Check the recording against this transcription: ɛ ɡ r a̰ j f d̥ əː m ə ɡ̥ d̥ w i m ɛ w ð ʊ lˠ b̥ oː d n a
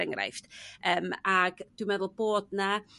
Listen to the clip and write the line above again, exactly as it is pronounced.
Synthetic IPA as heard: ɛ ŋ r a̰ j f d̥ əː m a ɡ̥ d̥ w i m ɛ ð ʊ lˠ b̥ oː d n a